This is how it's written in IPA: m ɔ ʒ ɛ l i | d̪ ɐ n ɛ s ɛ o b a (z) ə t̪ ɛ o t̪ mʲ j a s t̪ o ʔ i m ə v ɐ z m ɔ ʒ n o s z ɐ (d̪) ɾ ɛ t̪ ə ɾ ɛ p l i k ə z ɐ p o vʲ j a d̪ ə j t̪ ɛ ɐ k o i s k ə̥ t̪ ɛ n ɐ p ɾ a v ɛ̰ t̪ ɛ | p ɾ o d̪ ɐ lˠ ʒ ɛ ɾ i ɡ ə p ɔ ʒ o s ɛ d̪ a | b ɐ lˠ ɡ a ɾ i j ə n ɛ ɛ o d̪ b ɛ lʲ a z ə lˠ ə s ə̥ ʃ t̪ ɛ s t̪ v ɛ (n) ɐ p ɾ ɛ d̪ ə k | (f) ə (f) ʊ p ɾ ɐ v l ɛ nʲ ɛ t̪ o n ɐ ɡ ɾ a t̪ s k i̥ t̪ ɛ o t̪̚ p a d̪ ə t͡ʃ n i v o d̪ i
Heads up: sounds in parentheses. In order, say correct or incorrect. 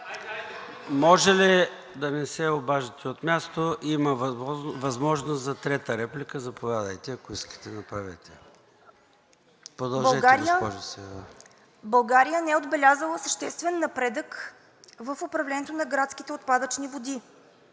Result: incorrect: ʒ, incorrect: t̪, incorrect: nː, incorrect: v, correct

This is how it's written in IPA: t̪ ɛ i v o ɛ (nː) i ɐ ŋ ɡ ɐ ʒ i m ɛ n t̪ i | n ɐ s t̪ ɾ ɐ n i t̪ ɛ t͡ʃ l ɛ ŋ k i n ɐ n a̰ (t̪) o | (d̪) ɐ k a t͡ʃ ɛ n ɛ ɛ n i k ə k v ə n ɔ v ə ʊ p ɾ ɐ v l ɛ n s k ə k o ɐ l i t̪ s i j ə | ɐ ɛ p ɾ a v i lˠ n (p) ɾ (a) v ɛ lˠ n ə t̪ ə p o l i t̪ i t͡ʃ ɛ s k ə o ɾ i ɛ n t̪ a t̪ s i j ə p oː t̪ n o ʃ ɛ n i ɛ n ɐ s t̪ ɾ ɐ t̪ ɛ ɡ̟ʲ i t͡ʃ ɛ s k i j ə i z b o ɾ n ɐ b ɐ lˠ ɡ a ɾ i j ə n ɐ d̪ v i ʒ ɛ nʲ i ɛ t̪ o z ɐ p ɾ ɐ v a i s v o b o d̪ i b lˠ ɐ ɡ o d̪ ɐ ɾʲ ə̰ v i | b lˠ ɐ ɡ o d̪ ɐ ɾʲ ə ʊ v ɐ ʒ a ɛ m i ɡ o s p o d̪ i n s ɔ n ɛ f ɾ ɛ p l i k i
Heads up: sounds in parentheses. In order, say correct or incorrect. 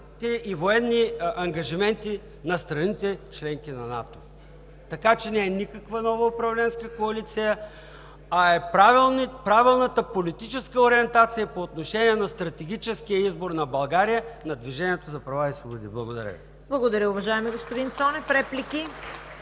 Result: correct, correct, incorrect: t̪, correct, correct

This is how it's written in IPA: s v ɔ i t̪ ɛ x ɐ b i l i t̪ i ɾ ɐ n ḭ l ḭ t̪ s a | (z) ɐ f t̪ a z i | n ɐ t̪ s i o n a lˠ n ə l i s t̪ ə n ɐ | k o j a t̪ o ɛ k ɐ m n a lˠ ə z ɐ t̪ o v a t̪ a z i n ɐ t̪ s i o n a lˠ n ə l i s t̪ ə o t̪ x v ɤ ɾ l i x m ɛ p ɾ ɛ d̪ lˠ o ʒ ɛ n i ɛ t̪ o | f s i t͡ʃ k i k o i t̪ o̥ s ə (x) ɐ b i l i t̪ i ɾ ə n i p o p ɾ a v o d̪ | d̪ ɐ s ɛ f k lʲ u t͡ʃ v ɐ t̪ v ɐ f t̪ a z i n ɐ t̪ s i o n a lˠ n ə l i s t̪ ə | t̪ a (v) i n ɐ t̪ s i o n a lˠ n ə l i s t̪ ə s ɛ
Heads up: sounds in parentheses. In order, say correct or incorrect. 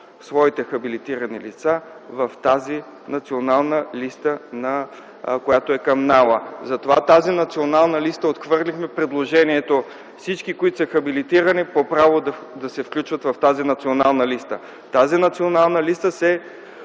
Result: incorrect: v, correct, incorrect: z

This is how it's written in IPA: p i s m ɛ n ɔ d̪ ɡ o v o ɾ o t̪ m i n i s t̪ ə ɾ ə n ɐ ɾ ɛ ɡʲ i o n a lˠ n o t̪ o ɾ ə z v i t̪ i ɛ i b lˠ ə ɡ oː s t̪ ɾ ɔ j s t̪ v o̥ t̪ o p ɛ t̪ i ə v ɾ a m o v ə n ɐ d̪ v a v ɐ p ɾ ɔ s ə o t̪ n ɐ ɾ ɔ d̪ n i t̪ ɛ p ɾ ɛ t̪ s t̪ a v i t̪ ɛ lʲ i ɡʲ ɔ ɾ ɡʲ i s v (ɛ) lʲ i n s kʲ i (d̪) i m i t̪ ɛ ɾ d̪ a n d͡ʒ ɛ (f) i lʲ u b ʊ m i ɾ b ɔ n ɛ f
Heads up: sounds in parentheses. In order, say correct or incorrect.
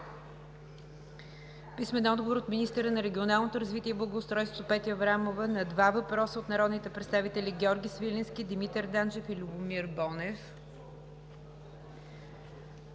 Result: incorrect: i, correct, correct

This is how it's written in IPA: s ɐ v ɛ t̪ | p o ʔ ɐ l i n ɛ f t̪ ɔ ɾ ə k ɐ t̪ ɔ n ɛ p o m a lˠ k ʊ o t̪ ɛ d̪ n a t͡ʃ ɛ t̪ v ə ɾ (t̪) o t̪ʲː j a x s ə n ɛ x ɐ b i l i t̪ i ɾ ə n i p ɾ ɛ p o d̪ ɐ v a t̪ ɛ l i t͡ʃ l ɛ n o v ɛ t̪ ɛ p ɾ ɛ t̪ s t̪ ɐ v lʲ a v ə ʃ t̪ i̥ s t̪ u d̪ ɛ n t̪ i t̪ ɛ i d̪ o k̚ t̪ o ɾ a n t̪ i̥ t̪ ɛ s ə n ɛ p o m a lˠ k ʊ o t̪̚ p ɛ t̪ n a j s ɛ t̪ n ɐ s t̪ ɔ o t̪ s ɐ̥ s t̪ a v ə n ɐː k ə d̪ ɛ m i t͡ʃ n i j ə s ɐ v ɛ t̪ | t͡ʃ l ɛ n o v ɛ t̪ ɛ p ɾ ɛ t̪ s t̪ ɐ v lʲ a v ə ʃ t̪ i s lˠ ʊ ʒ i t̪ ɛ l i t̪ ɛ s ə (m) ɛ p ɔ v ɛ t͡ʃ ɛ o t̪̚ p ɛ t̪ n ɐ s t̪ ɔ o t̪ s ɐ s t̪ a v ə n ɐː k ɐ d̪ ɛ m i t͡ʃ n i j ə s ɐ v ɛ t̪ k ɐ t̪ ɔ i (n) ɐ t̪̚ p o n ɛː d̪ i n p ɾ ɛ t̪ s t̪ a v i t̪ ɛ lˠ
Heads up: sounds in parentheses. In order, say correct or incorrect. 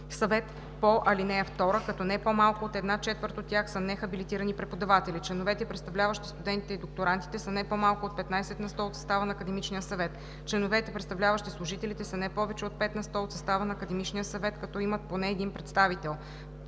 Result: correct, incorrect: n, incorrect: m

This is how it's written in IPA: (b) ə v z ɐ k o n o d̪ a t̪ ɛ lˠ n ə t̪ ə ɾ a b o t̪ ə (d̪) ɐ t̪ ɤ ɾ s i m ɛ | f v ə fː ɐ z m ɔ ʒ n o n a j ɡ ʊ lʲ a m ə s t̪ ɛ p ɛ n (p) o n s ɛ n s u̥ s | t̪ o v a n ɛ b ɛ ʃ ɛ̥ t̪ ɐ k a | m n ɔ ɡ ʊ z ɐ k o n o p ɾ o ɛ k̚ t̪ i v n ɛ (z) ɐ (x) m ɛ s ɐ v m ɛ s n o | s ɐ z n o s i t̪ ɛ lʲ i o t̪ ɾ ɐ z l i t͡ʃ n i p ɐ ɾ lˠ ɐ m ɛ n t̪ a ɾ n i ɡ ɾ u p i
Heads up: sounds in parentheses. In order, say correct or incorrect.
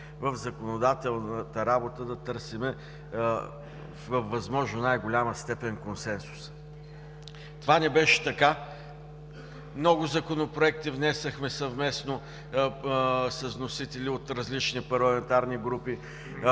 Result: incorrect: v, correct, incorrect: k, incorrect: s, correct

